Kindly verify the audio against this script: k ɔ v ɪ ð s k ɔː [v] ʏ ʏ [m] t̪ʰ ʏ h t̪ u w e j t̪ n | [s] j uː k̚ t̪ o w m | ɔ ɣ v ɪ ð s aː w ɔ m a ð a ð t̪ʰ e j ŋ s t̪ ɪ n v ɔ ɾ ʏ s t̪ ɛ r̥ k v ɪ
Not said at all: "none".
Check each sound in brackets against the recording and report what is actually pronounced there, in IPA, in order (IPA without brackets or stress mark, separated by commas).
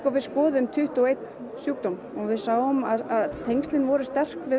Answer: ð, m, s